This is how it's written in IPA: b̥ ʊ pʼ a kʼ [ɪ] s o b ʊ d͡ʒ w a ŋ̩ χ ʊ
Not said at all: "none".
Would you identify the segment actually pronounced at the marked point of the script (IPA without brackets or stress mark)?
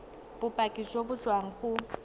i